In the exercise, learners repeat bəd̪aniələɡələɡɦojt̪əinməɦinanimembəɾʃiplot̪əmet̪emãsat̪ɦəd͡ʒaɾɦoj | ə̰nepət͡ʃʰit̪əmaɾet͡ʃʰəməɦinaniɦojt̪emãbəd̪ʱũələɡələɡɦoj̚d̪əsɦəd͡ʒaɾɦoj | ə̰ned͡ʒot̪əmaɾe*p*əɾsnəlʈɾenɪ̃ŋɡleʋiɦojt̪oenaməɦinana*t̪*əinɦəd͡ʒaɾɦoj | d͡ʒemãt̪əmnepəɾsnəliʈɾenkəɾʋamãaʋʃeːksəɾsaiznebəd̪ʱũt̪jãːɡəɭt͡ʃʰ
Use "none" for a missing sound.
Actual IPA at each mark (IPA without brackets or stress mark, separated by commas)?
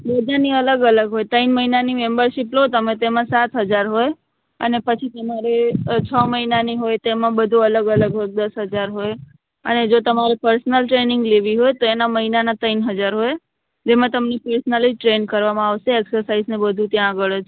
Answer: p, t̪